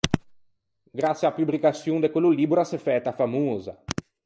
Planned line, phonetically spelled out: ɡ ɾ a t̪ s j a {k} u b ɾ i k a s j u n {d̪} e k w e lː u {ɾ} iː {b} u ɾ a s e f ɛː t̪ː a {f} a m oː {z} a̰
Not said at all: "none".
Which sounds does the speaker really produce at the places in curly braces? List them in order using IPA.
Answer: p, d̪, l, b, f, z

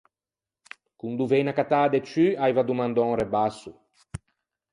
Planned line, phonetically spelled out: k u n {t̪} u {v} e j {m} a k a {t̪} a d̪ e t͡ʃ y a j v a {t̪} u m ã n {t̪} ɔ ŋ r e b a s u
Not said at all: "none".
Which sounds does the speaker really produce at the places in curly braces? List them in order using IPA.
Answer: d̪, v, n, t̪, d̪, d̪

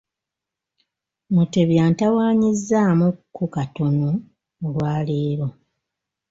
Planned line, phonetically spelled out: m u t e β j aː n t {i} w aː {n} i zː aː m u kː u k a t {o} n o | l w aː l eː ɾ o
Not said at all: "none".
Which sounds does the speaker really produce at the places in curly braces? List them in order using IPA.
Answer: a, ɲ, o

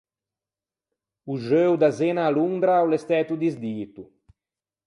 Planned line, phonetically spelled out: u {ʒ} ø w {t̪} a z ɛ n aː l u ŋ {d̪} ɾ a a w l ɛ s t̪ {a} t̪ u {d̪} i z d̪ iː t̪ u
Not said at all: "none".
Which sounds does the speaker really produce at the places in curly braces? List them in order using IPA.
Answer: ʒ, d̪, d̪, ɛ, d̪

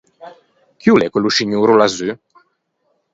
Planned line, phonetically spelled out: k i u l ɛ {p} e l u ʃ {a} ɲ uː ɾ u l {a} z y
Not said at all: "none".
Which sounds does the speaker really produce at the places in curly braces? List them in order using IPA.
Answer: k, i, a

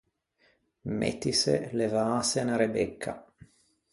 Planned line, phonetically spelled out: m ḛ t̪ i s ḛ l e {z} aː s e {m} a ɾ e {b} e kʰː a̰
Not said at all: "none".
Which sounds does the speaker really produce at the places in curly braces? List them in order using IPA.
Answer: v, n, b

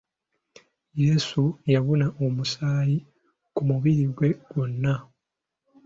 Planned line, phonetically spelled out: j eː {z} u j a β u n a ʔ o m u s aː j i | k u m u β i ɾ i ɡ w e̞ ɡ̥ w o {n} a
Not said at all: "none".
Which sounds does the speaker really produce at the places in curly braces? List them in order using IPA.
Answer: s, nː

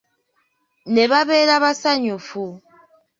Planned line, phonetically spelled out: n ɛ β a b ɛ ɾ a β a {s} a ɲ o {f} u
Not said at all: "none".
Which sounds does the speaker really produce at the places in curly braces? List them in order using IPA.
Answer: s, f

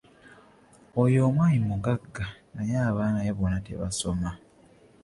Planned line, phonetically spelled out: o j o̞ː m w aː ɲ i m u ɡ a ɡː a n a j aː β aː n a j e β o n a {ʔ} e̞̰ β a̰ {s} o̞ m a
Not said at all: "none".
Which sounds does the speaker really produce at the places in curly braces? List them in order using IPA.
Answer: t, s

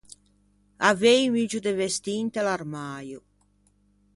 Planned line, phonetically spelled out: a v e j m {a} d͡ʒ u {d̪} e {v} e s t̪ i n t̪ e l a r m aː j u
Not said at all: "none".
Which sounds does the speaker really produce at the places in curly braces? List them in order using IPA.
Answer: i, d̪, v

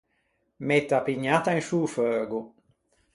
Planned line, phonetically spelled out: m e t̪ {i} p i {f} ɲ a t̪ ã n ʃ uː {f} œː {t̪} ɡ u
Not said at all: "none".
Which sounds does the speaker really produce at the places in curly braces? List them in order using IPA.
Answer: a, none, f, none

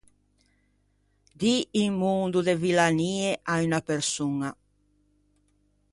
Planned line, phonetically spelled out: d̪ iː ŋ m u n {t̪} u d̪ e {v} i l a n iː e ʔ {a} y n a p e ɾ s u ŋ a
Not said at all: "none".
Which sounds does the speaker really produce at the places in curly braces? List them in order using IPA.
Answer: d̪, v, a

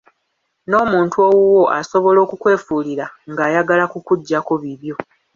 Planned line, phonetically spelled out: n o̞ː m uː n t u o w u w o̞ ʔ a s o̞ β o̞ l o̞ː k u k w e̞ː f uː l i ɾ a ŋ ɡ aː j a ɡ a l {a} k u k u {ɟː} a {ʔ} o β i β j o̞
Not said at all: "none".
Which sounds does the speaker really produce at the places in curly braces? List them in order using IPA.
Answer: a, ɟː, k

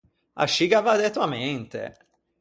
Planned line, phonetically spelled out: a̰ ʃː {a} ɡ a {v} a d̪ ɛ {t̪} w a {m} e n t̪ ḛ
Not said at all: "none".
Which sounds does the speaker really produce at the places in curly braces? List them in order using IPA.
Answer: i, v, t̪, m

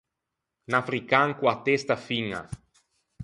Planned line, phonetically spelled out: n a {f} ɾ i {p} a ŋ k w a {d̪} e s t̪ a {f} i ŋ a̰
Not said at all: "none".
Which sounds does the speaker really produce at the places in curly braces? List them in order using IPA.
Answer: f, k, t̪, f

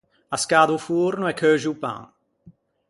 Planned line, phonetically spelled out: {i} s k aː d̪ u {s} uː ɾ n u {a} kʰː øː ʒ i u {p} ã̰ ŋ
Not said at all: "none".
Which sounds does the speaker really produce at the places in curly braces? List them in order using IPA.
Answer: a, f, ɛ, p

